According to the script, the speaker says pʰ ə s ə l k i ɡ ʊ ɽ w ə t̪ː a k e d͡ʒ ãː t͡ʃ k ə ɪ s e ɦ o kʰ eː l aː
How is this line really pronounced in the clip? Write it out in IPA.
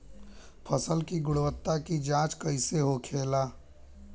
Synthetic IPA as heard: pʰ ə s ə l k i ɡ ʊ ɽ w ə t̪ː a k i d͡ʒ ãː t͡ʃ k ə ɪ s e ɦ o kʰ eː l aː